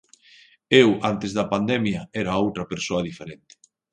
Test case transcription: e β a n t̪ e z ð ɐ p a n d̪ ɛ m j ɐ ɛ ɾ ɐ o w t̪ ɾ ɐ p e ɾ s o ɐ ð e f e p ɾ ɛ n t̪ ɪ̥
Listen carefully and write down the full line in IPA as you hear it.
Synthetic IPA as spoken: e w a n t̪ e z ð ɐ p a n d̪ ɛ m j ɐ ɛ ɾ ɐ o w t̪ ɾ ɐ p e ɾ s o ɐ ð i f e ɾ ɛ n t̪ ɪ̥